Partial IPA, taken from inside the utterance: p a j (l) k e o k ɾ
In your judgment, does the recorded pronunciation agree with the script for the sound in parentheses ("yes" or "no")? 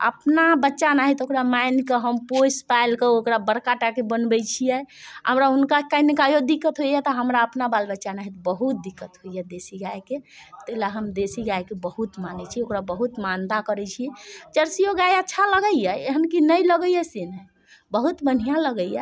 yes